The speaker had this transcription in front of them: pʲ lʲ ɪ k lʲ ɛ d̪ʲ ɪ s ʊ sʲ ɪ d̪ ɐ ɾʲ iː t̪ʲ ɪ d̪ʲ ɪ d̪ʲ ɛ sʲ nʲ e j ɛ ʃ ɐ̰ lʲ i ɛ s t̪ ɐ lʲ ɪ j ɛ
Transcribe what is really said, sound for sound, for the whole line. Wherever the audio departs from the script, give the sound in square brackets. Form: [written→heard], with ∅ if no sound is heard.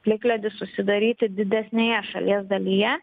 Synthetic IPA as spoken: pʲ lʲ ɪ k lʲ ɛ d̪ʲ ɪ s ʊ sʲ ɪ d̪ ɐ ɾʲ iː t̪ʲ ɪ d̪ʲ ɪ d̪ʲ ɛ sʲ nʲ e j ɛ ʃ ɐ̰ lʲ i ɛ s [t̪→d̪] ɐ lʲ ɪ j ɛ

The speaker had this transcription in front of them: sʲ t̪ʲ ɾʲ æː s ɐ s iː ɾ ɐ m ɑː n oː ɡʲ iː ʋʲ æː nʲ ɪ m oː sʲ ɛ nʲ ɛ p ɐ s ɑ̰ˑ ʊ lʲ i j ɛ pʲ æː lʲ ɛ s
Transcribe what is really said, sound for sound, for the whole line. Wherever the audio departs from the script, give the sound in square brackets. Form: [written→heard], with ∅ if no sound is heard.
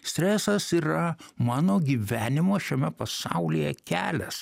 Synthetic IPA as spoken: sʲ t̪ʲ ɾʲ æː s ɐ s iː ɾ ɐ m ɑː n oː ɡʲ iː ʋʲ æː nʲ ɪ m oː [sʲ→ʃʲ] ɛ [nʲ→mʲ] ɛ p ɐ s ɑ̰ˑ ʊ lʲ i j ɛ [pʲ→kʲ] æː lʲ ɛ s

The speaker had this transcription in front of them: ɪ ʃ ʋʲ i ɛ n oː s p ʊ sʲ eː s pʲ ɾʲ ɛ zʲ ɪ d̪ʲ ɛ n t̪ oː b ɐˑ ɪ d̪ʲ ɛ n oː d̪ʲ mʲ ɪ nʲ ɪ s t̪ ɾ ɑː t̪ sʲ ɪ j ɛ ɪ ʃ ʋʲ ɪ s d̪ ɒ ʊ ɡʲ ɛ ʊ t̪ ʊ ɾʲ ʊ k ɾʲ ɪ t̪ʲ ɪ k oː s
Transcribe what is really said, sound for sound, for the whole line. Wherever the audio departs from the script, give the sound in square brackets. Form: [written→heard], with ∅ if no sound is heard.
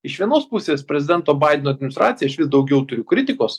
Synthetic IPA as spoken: ɪ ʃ ʋʲ i ɛ n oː s p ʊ sʲ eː s pʲ ɾʲ ɛ zʲ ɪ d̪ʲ ɛ n t̪ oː b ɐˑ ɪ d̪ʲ ɛ n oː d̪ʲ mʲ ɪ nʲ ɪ s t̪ ɾ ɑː t̪ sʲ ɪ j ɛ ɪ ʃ ʋʲ ɪ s d̪ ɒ ʊ ɡʲ ɛ ʊ t̪ ʊ ɾʲ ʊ k ɾʲ ɪ t̪ʲ ɪ k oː s

